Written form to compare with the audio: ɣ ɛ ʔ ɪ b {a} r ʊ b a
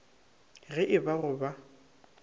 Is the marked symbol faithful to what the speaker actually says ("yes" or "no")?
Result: yes